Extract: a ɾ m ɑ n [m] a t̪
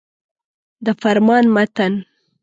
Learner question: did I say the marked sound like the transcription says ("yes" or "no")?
yes